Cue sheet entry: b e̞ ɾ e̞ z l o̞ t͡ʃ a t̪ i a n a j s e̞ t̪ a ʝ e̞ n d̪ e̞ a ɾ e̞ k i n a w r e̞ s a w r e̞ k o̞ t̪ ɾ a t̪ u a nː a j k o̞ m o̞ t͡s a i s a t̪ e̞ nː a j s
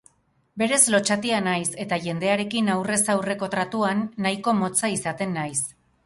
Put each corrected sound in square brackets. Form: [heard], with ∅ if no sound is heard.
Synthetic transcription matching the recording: b e̞ ɾ e̞ z l o̞ t͡ʃ a t̪ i a n a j s e̞ t̪ a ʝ e̞ n d̪ e̞ a ɾ e̞ k i n a w r e̞ s a w r e̞ k o̞ t̪ ɾ a t̪ u a nː a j k o̞ m o̞ t͡s a i s a t̪ e̞ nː a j s